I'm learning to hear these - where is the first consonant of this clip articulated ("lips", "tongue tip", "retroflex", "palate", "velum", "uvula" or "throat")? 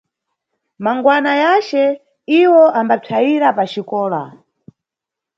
lips